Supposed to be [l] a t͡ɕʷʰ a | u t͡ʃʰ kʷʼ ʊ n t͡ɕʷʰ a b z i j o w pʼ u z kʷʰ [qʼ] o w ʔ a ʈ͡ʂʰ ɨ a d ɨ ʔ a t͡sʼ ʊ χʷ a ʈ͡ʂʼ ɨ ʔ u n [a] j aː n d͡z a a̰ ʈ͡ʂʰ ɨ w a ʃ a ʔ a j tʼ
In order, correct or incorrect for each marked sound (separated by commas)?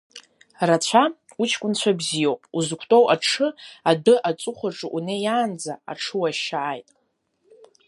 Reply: incorrect, incorrect, incorrect